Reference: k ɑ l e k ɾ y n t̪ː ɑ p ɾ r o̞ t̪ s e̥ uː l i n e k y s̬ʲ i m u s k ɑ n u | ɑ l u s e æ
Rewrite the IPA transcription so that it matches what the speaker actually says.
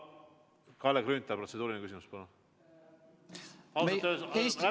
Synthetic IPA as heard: k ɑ l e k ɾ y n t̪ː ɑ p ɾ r o̞ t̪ s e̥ uː ɾ i n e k y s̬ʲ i m u s p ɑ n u | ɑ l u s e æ